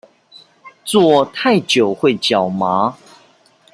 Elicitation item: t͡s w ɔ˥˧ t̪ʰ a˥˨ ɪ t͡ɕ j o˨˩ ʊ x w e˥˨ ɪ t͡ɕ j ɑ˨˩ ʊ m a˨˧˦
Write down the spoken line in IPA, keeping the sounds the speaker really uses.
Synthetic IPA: t͡s w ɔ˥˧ t̪ʰ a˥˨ ɪ t͡ɕ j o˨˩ ʊ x w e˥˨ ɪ t͡ɕ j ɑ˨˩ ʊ m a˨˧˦